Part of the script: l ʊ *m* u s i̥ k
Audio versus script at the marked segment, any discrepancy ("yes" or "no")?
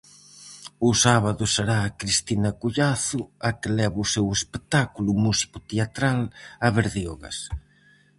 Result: no